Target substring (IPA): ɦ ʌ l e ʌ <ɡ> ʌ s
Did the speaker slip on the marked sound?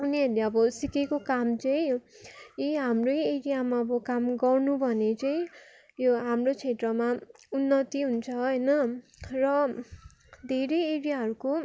yes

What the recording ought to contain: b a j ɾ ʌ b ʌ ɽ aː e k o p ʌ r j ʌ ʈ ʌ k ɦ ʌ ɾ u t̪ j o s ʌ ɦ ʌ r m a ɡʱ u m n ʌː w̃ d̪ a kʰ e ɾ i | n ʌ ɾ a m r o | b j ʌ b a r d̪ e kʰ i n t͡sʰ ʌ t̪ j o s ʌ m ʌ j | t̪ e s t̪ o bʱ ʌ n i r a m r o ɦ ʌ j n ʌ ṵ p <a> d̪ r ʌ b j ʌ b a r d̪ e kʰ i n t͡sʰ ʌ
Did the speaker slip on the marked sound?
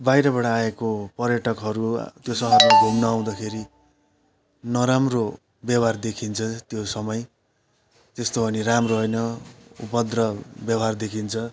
yes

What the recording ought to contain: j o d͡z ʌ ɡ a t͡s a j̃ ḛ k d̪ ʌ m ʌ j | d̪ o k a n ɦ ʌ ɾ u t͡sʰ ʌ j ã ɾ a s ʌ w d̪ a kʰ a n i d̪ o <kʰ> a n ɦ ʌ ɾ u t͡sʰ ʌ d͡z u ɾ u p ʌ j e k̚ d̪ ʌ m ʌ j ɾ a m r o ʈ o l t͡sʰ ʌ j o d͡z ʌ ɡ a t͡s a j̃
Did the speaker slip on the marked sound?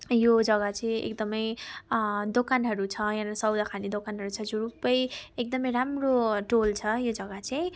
yes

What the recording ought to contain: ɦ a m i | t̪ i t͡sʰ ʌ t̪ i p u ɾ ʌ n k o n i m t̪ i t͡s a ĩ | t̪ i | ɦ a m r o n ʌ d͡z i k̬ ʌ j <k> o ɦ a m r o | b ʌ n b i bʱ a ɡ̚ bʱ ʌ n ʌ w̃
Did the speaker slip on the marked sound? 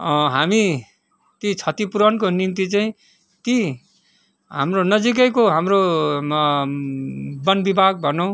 no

